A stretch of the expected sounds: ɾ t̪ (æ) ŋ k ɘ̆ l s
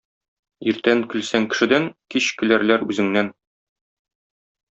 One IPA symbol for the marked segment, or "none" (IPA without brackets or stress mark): æ